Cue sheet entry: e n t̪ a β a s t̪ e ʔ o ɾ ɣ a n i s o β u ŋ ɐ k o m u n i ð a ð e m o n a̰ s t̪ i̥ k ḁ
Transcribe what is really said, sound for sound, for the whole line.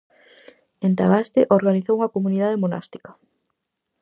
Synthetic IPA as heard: e n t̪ a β a s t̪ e ʔ o ɾ ɣ a n i θ o w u ŋ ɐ k o m u n i ð a ð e m o n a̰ s t̪ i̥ k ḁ